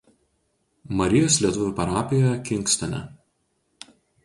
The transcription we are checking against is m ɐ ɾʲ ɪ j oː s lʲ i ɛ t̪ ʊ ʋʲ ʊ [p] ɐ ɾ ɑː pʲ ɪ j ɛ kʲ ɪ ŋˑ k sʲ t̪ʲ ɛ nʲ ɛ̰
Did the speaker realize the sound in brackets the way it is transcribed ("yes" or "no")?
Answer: yes